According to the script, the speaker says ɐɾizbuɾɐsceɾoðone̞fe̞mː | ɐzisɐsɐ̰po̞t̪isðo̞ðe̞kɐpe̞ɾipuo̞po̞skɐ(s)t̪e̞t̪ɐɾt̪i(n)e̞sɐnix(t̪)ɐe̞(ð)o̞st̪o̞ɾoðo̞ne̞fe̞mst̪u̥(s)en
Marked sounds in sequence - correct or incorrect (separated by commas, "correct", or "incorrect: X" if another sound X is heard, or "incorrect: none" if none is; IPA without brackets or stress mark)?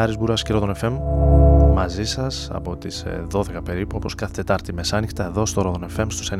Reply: incorrect: θ, incorrect: m, correct, correct, correct